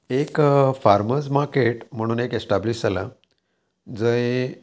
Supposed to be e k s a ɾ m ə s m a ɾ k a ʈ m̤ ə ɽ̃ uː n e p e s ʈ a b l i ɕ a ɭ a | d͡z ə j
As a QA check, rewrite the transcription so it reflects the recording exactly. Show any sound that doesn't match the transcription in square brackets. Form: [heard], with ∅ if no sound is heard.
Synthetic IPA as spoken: e k [f] a ɾ m ə s m a ɾ k [e] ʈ m̤ ə ɽ̃ uː n e [k] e s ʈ a b l i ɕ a [l] a | d͡z ə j